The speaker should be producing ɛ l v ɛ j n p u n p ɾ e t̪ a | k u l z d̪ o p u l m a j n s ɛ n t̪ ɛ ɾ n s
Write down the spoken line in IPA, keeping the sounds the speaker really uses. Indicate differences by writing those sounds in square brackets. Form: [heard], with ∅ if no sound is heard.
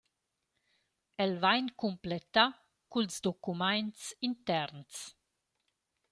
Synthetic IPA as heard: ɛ l v [a] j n [k] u [m] p [l] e t̪ a | k u l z d̪ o [k] u [∅] m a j n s [i] n t̪ ɛ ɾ n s

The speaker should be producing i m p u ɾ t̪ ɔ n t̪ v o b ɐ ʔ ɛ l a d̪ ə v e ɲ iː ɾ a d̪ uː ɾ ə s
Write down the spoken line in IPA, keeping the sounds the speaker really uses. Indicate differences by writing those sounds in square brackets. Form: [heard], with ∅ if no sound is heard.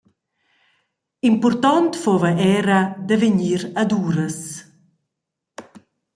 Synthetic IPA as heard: i m p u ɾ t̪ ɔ n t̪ [f] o [v] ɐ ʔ ɛ [ɾ] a d̪ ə v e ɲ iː ɾ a d̪ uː ɾ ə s

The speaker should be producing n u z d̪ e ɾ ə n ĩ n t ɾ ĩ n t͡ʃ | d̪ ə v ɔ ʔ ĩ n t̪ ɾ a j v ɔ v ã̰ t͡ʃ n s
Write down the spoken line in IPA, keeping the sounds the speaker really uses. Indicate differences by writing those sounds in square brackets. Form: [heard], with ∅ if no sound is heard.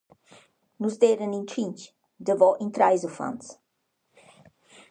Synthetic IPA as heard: n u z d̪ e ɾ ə n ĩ n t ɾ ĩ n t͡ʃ | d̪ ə v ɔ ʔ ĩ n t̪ ɾ a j [z] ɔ [f] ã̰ [∅] n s

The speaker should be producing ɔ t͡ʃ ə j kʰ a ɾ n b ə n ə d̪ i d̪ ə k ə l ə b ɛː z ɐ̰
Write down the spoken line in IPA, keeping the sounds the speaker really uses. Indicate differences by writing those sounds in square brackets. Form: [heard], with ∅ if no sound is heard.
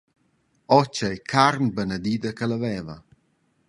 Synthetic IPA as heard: ɔ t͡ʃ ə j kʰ a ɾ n b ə n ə d̪ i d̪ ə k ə l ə [v] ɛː [v] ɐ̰

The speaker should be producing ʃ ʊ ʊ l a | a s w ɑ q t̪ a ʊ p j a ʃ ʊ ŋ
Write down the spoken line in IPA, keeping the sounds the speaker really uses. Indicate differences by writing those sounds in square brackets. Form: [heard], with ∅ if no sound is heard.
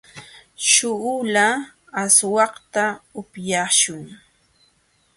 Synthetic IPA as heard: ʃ ʊ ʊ l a | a s w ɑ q t̪ a ʊ p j a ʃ ʊ ŋ

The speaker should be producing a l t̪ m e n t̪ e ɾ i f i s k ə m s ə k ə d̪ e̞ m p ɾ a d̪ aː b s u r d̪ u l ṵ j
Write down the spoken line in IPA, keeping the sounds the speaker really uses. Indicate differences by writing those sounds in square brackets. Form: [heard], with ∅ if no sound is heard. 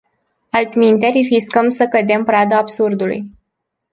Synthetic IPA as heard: a l t̪ m [i] n t̪ e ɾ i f i s k ə m s ə k ə d̪ e̞ m p ɾ a d̪ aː b s u r d̪ u l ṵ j

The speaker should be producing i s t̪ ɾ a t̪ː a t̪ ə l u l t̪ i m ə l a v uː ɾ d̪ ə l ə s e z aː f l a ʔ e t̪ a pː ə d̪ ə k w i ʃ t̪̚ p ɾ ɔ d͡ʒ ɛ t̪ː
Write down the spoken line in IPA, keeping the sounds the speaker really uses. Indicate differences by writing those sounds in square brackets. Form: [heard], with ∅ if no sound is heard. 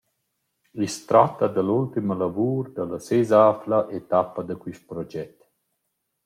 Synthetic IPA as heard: i s t̪ ɾ a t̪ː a [d̪] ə l u l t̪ i m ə l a v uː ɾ d̪ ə l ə s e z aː f l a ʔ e t̪ a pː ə d̪ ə k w i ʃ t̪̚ p ɾ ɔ d͡ʒ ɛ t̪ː

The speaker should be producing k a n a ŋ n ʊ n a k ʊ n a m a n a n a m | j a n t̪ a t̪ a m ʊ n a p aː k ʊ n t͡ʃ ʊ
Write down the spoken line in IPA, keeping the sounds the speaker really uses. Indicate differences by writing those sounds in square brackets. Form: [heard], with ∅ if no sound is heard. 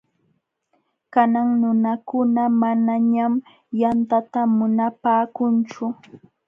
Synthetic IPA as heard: k a n a ŋ n ʊ n a k ʊ n a m a n a [ɲ] a m | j a n t̪ a t̪ a m ʊ n a p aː k ʊ n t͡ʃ ʊ

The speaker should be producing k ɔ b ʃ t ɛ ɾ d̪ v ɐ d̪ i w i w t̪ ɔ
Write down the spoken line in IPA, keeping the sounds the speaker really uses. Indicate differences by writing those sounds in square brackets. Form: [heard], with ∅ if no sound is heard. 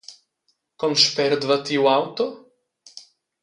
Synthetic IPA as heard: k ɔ [m] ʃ [p] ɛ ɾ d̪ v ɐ [t̪] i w [a] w t̪ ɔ

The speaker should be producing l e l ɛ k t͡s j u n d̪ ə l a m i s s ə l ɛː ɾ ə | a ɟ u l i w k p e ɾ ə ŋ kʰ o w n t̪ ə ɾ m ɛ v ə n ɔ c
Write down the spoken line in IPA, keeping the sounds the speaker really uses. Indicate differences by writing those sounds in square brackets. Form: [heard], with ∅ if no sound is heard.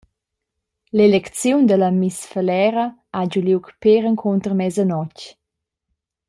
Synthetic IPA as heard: l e l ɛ k t͡s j u n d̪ ə l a m i s [f] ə l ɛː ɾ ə | a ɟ u l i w k p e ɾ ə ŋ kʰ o [∅] n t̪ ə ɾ m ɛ [z] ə n ɔ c

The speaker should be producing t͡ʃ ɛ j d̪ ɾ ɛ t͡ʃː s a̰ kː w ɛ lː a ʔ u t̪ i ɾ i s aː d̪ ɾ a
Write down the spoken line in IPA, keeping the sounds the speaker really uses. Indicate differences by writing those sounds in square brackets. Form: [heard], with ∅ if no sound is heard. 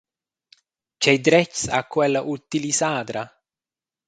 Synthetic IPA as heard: t͡ʃ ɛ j d̪ ɾ ɛ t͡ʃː s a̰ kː w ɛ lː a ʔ u t̪ i [l] i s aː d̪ ɾ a

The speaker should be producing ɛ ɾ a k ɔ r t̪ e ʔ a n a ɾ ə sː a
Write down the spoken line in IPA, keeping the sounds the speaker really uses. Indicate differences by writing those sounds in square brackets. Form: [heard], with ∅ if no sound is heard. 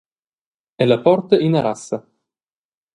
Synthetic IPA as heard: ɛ [l] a [p] ɔ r t̪ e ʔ [i] n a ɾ [a] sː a

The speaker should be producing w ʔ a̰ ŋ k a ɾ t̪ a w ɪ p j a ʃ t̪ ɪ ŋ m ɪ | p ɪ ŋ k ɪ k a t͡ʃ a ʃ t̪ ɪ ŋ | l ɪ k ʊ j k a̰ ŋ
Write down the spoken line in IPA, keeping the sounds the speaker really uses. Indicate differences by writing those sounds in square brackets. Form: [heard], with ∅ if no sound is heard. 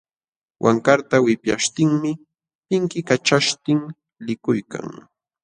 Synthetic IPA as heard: w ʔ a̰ ŋ k a ɾ t̪ a w ɪ p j a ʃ t̪ ɪ ŋ m ɪ | p ɪ ŋ k ɪ k a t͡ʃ a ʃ t̪ ɪ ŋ | l ɪ k ʊ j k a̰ ŋ

